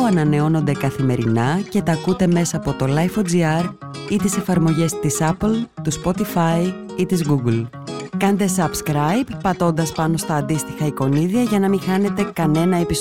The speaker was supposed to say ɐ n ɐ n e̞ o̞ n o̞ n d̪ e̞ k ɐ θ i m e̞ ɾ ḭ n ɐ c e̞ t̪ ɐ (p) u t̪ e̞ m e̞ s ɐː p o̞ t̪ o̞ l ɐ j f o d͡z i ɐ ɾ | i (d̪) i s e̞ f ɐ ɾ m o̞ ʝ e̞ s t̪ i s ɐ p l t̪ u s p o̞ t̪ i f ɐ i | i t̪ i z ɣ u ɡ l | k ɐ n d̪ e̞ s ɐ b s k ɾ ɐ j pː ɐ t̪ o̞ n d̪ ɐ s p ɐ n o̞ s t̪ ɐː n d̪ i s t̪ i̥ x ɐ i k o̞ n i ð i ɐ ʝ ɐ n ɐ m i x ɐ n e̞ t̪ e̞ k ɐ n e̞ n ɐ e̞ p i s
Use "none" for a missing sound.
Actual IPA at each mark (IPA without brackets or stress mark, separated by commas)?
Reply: k, t̪